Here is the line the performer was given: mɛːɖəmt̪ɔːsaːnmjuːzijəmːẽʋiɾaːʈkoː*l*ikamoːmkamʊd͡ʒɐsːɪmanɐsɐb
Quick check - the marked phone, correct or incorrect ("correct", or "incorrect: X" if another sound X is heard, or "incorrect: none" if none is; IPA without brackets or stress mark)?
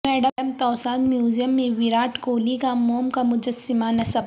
correct